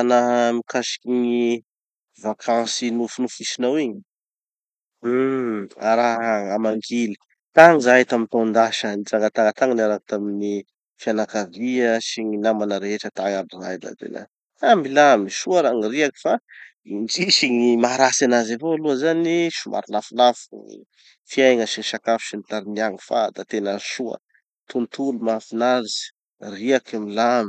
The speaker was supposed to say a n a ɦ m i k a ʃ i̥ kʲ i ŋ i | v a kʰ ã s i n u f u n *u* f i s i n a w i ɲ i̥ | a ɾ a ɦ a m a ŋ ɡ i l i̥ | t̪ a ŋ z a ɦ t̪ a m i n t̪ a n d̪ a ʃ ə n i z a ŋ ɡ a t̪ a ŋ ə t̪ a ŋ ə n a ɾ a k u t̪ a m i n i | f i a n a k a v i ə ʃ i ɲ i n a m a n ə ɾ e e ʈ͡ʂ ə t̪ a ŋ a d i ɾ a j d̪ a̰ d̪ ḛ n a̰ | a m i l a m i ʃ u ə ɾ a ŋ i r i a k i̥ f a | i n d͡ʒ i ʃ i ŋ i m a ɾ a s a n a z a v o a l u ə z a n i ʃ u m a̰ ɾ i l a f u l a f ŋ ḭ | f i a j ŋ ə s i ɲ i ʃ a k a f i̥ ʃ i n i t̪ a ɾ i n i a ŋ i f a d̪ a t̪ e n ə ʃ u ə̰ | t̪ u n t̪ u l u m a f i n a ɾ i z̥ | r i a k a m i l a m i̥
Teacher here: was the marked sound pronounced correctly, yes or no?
yes